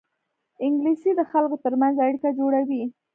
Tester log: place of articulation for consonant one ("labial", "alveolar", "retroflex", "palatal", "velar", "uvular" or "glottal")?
velar